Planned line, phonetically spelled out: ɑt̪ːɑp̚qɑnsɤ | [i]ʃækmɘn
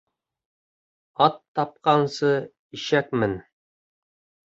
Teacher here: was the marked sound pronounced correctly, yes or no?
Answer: yes